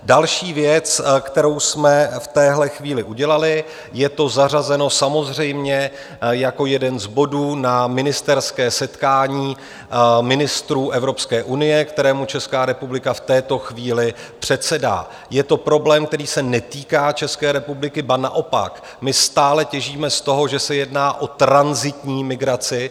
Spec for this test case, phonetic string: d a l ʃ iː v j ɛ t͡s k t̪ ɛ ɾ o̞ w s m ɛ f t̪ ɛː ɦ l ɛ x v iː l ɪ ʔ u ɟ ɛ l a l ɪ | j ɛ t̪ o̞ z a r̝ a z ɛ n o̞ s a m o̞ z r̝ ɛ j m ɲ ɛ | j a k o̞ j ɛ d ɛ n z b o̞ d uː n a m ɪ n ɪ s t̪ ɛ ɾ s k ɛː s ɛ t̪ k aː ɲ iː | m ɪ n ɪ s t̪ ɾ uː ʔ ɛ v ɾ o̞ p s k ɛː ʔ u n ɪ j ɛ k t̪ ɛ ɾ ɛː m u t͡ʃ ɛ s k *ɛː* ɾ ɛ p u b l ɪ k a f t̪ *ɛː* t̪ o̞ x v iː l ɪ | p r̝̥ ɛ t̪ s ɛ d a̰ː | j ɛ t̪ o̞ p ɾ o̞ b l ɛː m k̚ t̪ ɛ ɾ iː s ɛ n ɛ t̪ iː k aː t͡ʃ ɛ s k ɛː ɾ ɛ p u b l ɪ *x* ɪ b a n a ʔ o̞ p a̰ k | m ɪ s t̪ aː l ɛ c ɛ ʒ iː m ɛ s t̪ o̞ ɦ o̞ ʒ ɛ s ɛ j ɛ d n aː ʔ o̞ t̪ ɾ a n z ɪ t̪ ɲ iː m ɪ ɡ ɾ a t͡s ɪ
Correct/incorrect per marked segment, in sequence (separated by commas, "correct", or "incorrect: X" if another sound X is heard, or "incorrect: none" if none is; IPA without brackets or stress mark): incorrect: aː, correct, incorrect: k